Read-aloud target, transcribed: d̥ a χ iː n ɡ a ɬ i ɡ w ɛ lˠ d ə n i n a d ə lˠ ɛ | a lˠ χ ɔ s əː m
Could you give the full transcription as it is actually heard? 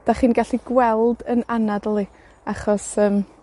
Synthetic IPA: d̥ a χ iː n ɡ a ɬ i ɡ w ɛ lˠ d ə n a n a d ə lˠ i | a χ ɔ s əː m